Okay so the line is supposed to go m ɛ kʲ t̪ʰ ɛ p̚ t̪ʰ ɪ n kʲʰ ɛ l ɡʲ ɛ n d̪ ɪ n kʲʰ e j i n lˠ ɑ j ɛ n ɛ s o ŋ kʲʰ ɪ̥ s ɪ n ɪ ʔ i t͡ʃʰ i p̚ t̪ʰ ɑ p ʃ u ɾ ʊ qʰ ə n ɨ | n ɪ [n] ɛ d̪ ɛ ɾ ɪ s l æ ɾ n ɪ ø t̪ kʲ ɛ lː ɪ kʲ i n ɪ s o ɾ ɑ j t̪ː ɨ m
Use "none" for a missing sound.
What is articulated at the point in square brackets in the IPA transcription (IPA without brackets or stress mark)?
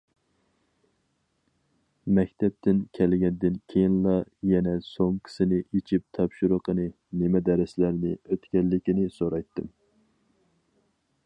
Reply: m